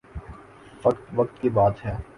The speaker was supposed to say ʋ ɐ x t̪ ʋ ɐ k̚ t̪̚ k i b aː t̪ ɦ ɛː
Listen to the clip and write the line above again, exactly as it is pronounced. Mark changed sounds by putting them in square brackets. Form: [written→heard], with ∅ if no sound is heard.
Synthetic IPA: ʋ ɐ [x→k] t̪ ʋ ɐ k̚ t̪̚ k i b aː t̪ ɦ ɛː